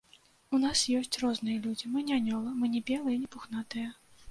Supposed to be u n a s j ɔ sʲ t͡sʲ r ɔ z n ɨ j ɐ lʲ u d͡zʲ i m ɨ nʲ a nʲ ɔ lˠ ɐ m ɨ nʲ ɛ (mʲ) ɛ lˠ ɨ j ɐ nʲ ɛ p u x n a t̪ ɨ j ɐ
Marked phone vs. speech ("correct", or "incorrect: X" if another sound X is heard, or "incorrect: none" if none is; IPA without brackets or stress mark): incorrect: bʲ